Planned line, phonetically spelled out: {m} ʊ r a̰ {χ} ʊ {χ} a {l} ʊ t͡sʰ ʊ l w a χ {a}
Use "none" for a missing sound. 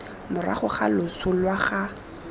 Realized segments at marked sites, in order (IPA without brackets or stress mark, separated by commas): m, χ, χ, l, a